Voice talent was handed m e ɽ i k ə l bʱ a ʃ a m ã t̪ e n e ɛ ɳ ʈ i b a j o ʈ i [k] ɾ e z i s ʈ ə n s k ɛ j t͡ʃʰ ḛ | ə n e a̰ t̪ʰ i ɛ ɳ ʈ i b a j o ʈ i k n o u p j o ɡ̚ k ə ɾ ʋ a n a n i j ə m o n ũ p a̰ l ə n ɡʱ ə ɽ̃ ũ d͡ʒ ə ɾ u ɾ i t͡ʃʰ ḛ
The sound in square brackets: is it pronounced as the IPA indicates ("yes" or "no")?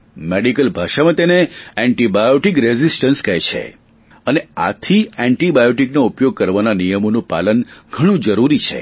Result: yes